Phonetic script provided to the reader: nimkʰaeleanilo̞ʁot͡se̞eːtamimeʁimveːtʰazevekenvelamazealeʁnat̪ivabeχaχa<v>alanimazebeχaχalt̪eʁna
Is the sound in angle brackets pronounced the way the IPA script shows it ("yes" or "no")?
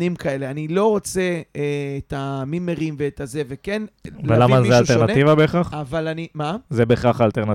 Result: yes